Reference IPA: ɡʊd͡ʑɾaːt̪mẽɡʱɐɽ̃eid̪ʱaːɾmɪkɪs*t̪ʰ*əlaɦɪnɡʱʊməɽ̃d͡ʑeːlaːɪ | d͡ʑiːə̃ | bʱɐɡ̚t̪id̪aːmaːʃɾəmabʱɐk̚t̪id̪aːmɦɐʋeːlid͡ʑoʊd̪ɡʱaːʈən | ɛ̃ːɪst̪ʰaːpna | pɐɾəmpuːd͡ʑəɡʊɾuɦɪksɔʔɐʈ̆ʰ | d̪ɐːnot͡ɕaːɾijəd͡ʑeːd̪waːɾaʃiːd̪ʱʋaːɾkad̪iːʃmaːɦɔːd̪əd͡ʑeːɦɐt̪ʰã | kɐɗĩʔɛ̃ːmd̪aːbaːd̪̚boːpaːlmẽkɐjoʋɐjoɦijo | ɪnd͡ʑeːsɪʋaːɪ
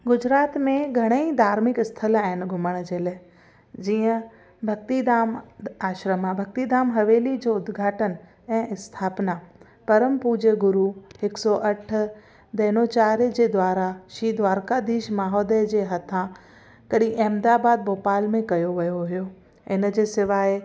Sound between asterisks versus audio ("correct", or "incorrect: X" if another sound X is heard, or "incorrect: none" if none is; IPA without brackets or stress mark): correct